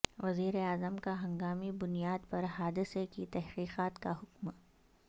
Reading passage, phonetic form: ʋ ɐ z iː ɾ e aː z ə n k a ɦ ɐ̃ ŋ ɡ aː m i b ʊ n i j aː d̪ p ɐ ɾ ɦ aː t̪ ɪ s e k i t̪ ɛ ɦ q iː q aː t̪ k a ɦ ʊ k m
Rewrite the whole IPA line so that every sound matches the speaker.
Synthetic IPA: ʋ ɐ z iː ɾ e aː z ə m k a ɦ ɐ̃ ŋ ɡ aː m i b ʊ n i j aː d̪ p ɐ ɾ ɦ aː d̪ ɪ s e k i t̪ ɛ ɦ q iː q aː t̪ k a ɦ ʊ k m